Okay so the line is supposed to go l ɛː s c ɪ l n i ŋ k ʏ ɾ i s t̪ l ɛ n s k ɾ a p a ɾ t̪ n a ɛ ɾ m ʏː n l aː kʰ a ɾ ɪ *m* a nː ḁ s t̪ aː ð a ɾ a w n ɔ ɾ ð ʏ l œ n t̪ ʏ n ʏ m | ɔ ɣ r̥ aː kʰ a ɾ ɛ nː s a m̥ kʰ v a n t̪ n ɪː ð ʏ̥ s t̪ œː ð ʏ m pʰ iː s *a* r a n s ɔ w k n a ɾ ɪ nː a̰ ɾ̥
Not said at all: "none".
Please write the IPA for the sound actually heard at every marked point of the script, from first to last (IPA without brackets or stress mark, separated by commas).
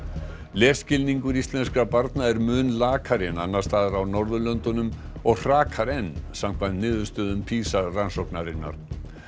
n, a